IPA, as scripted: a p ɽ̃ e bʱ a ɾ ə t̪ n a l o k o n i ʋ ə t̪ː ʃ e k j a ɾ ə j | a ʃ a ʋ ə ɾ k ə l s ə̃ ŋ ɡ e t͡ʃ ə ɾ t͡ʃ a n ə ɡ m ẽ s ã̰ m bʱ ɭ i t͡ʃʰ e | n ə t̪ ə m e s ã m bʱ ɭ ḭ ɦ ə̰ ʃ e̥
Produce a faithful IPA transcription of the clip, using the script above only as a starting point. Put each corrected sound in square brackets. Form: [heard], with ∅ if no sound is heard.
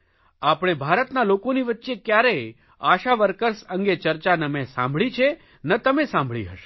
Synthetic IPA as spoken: a p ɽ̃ e bʱ a ɾ ə t̪ n a l o k o n i ʋ ə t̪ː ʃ e k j a ɾ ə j | a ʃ a ʋ ə ɾ k ə [ɾ] s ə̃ ŋ ɡ e t͡ʃ ə ɾ t͡ʃ a n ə [∅] m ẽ s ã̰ m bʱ ɭ i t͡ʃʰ e | n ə t̪ ə m e s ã m bʱ ɭ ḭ ɦ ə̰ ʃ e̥